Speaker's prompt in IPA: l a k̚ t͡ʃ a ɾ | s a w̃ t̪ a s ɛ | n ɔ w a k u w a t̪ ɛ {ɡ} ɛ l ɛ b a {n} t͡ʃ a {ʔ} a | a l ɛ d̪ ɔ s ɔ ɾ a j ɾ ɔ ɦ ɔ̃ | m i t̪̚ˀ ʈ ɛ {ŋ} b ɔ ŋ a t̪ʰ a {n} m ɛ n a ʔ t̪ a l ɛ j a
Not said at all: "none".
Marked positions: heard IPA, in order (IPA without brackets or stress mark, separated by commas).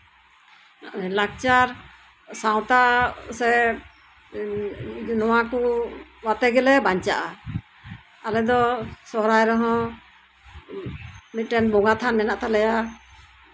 ɡ, ɲ, ʔ, n, n